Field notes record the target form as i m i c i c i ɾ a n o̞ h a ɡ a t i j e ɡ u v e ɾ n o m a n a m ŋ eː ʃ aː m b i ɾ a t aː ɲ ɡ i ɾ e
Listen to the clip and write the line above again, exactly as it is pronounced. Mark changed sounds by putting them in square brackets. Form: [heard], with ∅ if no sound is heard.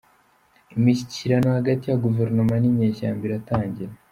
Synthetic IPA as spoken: i m i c i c i ɾ a n o̞ h a ɡ a t i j [a] ɡ u v e ɾ n o m a n [i] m [ɲ] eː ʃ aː m b i ɾ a t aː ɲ [ɟ] i ɾ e